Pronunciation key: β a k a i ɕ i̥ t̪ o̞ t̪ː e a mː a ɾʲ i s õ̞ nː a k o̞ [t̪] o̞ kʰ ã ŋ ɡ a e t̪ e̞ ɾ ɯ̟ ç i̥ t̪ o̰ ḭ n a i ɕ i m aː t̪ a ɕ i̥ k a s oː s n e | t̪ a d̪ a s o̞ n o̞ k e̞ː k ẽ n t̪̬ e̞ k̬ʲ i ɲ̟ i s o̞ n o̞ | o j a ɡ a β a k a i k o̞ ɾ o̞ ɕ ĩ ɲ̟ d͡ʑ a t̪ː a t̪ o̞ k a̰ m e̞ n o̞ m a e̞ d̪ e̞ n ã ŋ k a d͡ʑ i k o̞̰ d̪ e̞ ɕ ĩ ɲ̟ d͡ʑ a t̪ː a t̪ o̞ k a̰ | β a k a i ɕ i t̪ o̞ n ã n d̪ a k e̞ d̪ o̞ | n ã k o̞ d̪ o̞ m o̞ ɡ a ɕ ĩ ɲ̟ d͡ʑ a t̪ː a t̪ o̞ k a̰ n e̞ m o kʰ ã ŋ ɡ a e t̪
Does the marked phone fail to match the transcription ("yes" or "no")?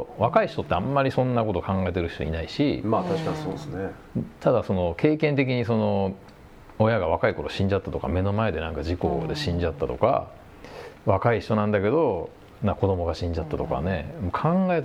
no